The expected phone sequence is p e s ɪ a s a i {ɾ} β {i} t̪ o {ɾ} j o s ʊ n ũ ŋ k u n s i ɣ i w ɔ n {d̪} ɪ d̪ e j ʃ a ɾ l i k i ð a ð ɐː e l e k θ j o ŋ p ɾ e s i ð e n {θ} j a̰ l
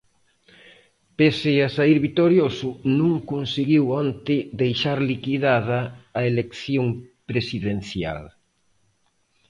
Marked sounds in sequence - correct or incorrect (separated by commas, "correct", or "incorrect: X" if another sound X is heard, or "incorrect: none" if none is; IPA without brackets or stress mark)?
correct, correct, correct, incorrect: t̪, correct